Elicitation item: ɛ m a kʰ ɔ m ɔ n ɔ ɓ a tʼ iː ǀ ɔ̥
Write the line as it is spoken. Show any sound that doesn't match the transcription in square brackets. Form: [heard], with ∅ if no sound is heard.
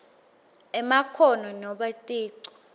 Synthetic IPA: ɛ m a kʰ ɔ [n] ɔ n ɔ ɓ a tʼ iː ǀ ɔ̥